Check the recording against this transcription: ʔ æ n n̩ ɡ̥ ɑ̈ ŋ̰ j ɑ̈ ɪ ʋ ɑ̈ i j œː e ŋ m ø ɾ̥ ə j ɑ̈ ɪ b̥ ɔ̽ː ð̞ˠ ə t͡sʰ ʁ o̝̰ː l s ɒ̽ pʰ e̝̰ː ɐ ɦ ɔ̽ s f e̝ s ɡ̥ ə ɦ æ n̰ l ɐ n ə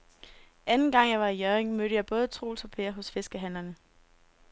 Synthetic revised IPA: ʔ æ n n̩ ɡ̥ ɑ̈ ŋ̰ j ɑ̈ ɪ ʋ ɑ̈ i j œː e ŋ m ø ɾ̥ ə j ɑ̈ ɪ b̥ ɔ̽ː ð̞ˠ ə t͡sʰ ʁ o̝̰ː l s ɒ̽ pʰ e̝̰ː ɐ ɦ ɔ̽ s f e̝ s ɡ̥ ə ɦ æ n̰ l ɐ n ə